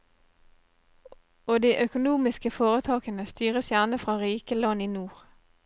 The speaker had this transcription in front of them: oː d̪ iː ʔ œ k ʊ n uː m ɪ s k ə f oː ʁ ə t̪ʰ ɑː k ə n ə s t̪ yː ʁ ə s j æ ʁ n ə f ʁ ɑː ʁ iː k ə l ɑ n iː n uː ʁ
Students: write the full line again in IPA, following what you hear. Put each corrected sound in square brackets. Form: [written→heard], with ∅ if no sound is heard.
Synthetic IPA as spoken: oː d̪ iː ʔ œ k ʊ n uː m ɪ s k ə f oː ʁ ə t̪ʰ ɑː k ə n ə s t̪ yː ʁ ə s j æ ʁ n ə f ʁ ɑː ʁ iː k ə l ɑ n iː n uː ʁ